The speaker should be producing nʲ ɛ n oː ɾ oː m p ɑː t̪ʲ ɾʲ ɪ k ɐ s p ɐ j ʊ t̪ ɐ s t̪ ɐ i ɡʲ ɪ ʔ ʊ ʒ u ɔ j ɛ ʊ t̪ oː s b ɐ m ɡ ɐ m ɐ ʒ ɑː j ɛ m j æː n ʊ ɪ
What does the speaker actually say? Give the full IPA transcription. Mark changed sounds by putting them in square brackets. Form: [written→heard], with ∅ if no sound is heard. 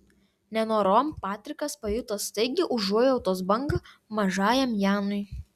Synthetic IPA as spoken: nʲ ɛ n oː ɾ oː m p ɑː t̪ʲ ɾʲ ɪ k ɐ s p ɐ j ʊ t̪ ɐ s t̪ ɐ [i→ɪ] ɡʲ ɪ ʔ ʊ ʒ u ɔ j ɛ ʊ t̪ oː s b ɐ [m→ŋ] ɡ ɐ m ɐ ʒ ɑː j ɛ m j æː n ʊ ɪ